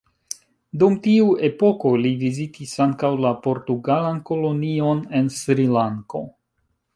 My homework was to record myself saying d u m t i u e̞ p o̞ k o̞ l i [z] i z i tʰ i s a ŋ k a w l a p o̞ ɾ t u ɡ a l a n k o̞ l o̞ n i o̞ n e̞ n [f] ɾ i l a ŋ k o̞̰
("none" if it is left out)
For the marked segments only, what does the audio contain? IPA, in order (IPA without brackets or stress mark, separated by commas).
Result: v, s